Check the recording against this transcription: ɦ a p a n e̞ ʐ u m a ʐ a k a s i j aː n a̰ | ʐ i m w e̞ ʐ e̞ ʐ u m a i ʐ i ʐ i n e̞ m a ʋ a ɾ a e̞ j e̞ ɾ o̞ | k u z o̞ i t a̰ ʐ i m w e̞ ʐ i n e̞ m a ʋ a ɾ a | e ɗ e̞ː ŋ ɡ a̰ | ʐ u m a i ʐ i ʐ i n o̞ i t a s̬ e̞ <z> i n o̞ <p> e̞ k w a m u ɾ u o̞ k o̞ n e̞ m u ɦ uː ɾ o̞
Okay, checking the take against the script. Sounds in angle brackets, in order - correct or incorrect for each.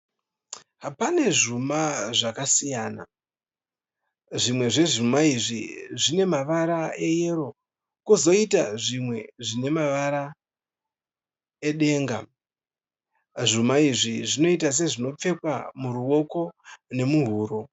incorrect, incorrect

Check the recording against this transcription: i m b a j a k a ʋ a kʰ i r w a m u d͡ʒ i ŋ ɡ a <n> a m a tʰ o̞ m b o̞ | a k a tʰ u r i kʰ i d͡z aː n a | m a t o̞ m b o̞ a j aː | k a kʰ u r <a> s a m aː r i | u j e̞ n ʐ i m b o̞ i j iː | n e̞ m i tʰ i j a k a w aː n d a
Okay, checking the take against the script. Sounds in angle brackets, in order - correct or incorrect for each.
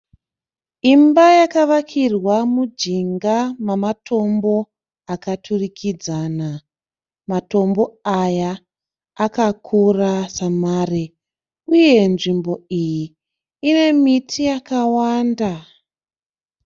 incorrect, correct

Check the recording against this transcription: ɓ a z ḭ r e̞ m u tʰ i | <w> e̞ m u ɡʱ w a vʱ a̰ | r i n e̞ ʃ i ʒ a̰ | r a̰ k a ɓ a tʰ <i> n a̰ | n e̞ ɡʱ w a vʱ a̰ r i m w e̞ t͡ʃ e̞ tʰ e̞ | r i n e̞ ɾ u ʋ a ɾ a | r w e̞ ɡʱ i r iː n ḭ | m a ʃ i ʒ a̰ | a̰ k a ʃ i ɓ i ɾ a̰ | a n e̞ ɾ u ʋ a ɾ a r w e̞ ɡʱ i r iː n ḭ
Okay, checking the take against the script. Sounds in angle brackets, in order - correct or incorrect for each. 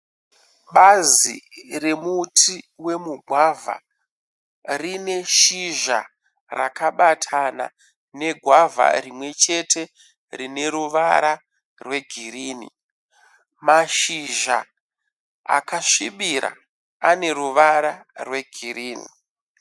correct, incorrect

